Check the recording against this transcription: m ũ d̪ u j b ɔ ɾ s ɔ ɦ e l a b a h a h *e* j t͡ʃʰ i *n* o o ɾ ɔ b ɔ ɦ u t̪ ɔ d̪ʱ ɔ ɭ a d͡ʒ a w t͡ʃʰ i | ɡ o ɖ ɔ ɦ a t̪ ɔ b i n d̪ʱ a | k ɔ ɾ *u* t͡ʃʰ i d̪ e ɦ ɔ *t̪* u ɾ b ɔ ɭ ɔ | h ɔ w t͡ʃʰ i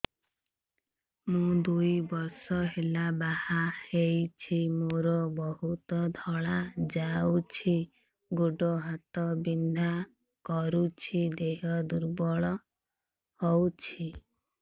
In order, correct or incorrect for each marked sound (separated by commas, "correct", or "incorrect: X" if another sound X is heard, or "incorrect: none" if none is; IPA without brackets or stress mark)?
correct, incorrect: m, correct, incorrect: d̪